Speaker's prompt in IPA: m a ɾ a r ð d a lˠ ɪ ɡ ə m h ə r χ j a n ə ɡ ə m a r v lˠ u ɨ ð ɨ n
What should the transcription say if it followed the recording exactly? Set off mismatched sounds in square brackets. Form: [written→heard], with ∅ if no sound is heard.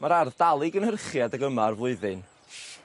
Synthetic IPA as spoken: m a ɾ a r ð d a lˠ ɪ ɡ ə [m→n] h ə r χ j a [n→d] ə ɡ ə m a r v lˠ [u→ʊ] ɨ ð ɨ n